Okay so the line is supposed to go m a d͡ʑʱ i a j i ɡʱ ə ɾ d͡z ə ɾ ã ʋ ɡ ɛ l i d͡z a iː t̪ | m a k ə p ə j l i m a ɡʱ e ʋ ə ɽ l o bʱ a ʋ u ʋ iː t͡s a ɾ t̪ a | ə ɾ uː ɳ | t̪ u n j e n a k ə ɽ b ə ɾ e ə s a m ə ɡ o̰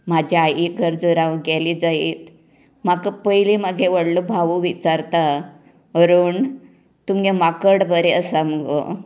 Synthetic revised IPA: m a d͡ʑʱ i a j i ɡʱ ə ɾ d͡z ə ɾ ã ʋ ɡ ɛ l i d͡z a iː t̪ | m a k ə p ə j l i m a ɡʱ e ʋ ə ɽ l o bʱ a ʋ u ʋ i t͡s a ɾ t̪ a | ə ɾ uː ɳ | t̪ u m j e m a k ə ɽ b ə ɾ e ə s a m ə ɡ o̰